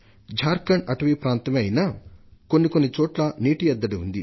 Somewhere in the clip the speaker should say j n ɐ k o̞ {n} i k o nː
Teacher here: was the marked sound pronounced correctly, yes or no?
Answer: no